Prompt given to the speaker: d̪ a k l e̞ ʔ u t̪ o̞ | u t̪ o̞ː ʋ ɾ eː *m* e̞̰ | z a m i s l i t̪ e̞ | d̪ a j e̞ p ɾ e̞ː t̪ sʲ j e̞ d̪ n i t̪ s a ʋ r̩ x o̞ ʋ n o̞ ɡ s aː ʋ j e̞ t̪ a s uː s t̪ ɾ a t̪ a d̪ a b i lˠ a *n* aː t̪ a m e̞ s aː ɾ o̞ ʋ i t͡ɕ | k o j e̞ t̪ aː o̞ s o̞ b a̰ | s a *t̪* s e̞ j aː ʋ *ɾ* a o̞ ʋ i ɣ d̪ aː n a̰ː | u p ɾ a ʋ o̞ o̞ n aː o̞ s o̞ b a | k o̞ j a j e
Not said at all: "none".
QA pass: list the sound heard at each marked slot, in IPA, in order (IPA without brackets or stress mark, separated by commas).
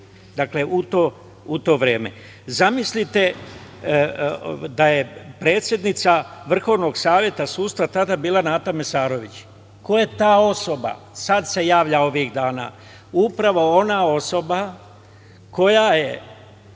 m, n, d̪, ʎ